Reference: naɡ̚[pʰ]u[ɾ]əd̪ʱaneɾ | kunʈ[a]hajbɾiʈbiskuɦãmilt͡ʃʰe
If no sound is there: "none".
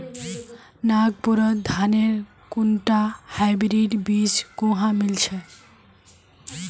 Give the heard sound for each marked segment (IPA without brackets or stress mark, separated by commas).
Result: p, ɾ, a